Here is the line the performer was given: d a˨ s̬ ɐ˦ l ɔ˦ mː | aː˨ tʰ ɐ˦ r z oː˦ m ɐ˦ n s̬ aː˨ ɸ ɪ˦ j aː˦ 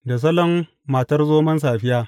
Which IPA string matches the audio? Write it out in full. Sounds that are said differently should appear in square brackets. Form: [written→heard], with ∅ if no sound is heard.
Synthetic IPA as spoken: d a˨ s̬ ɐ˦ l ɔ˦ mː | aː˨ [tʰ→t] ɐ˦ r z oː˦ m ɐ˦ n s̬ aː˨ ɸ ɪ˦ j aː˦